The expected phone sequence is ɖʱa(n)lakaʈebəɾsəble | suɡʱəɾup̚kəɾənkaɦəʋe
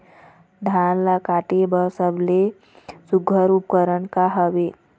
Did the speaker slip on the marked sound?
no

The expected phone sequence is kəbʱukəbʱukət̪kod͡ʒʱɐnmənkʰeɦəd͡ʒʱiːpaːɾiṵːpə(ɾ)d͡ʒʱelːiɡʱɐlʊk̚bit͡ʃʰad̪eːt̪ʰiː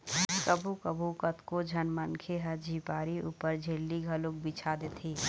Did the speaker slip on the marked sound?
no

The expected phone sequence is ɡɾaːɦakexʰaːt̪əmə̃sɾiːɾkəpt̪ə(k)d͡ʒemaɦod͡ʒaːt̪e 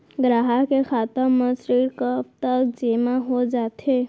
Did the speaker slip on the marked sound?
no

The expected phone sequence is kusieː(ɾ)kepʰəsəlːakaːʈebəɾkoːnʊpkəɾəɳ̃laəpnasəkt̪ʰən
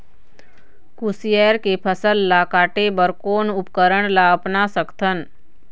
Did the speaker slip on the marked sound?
no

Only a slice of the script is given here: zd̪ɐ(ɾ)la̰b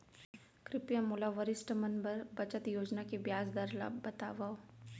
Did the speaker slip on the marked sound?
no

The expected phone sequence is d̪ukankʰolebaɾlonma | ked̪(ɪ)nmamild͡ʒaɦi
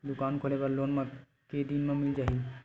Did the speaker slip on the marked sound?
yes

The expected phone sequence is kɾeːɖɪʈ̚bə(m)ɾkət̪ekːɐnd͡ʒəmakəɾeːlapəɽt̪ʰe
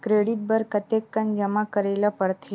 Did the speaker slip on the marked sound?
yes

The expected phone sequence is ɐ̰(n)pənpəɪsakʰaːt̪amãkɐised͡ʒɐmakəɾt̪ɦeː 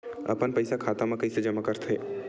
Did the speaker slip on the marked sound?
yes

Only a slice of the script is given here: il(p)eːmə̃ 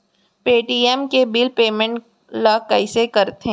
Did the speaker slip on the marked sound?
no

